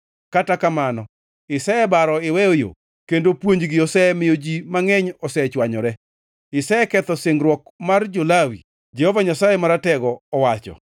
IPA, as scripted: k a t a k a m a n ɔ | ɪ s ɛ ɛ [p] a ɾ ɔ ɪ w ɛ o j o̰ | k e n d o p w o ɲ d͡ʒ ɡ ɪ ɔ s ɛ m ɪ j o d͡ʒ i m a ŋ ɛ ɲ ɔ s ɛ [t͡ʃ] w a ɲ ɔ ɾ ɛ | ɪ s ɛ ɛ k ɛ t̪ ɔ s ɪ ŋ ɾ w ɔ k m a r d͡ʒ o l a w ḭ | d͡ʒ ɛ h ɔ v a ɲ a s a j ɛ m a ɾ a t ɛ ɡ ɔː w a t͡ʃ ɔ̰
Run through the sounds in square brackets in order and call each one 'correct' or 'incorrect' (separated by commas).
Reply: incorrect, correct